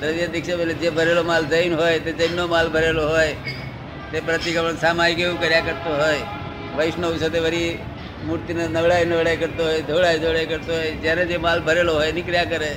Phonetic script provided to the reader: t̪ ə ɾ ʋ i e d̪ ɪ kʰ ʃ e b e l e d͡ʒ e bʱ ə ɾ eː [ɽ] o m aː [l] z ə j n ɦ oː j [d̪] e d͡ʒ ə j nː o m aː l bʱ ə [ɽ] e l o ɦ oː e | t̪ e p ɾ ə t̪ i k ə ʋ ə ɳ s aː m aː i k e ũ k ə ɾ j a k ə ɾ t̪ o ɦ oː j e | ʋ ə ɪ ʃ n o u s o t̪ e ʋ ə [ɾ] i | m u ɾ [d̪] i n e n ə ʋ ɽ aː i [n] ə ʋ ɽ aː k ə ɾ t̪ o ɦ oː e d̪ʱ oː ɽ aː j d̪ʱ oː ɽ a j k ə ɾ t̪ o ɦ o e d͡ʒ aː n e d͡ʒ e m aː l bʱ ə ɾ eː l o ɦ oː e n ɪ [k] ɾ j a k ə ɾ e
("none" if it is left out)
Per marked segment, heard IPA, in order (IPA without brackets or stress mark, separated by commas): l, l, t̪, ɾ, ɾ, t̪, n, k